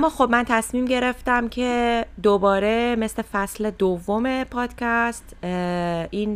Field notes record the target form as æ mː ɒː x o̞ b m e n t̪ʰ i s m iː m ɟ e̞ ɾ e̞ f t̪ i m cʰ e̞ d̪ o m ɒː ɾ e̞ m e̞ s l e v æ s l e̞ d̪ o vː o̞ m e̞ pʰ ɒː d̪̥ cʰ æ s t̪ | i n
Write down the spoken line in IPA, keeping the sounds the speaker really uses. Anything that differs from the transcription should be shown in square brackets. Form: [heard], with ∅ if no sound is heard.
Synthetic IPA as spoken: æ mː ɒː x o̞ b m [æ] n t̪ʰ [æ] s m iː m ɟ e̞ ɾ e̞ f t̪ [æ] m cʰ e̞ d̪ o [b] ɒː ɾ e̞ m e̞ s l e [f] æ s l e̞ d̪ o vː o̞ m e̞ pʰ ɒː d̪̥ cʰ æ s t̪ | i n